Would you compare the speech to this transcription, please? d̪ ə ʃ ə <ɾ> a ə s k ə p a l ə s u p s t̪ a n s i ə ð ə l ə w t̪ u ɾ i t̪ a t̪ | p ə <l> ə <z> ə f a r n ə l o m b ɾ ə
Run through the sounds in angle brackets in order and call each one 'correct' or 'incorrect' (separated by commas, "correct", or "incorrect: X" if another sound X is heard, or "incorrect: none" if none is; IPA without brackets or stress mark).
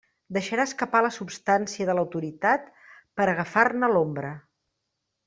correct, incorrect: ɾ, incorrect: ɣ